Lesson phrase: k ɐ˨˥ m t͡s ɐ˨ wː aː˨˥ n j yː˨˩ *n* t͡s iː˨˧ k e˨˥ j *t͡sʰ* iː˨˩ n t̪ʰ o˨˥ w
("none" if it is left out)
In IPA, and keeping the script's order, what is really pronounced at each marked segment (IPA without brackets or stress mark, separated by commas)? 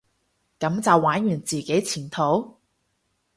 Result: n, t͡sʰ